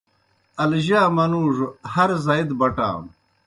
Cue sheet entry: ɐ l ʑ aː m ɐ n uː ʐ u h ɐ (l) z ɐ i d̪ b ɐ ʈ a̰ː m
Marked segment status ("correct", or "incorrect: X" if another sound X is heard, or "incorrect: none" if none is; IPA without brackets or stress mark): incorrect: ɾ